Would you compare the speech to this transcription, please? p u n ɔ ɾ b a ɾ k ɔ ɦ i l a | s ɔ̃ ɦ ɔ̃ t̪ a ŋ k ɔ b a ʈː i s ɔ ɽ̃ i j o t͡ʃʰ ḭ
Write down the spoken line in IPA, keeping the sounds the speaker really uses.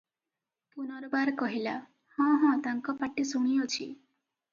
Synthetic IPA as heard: p u n ɔ ɾ b a ɾ k ɔ ɦ i l a | h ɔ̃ ɦ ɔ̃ t̪ a ŋ k ɔ p a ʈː i s u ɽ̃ i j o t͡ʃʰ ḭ